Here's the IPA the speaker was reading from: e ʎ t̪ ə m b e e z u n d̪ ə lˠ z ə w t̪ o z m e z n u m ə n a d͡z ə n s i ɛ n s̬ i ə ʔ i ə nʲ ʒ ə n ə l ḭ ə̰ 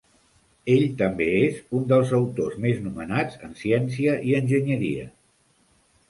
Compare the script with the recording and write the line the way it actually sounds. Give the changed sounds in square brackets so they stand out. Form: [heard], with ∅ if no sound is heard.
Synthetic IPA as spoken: e ʎ t̪ ə m b e e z u n d̪ ə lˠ z ə w t̪ o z m e z n u m ə n a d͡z ə n s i ɛ n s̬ i ə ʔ i ə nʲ ʒ ə [ɲ] ə [ɾ] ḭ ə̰